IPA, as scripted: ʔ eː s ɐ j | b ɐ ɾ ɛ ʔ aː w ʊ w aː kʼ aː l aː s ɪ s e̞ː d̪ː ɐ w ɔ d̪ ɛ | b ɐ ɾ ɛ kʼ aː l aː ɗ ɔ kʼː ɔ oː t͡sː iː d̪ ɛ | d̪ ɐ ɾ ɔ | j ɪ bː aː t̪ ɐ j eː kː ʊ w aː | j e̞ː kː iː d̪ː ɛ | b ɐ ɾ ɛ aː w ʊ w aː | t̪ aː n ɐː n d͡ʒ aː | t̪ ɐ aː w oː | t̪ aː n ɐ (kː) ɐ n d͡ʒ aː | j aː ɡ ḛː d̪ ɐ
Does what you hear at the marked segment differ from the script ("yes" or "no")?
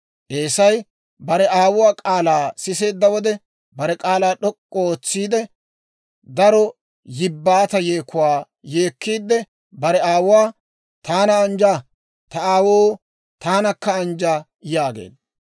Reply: no